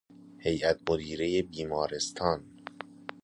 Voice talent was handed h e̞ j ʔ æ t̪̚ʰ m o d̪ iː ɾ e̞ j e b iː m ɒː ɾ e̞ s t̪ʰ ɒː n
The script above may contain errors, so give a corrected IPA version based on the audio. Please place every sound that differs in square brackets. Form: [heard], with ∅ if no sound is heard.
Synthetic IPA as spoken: h e̞ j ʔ æ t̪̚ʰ m o d̪ iː ɾ e̞ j e b iː m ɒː ɾ e̞ s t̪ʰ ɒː n